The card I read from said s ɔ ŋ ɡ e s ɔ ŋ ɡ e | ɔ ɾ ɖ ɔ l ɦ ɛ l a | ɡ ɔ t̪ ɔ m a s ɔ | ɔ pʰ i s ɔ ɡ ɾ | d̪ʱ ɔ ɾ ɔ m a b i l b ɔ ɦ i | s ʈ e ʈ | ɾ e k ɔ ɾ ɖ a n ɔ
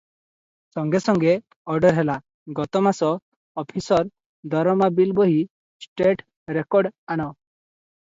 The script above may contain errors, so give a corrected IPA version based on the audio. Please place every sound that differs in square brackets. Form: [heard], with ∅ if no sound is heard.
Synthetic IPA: s ɔ ŋ ɡ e s ɔ ŋ ɡ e | ɔ ɾ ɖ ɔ [ɾ] ɦ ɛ l a | ɡ ɔ t̪ ɔ m a s ɔ | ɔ pʰ i s ɔ [∅] ɾ | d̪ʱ ɔ ɾ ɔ m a b i l b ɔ ɦ i | s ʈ e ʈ | ɾ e k ɔ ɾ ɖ a n ɔ